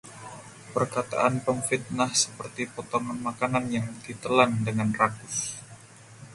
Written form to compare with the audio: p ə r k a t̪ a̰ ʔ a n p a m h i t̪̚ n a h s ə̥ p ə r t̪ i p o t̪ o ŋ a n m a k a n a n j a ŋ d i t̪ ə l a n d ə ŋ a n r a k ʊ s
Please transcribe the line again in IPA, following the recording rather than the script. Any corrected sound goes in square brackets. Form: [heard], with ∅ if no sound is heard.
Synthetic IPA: p ə r k a t̪ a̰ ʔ a n p [ə] m [f] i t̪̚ n a h s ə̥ p ə r t̪ i p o t̪ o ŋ a n m a k a n a n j a ŋ d i t̪ ə l a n d ə ŋ a n r a k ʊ s